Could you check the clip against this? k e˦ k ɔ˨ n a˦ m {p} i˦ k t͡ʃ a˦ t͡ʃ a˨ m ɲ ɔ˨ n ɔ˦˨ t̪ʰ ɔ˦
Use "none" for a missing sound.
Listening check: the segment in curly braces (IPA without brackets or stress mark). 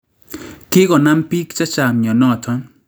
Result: p